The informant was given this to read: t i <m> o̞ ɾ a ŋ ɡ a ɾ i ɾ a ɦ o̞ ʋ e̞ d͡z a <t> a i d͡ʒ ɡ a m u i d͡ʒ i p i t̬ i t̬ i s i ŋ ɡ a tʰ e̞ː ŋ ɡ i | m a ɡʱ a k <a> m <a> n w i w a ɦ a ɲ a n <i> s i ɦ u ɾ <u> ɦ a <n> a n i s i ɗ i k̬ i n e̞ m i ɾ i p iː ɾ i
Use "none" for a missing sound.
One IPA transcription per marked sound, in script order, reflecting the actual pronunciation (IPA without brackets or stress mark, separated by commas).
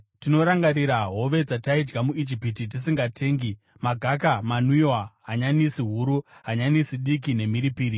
n, t, a, a, i, u, ɲ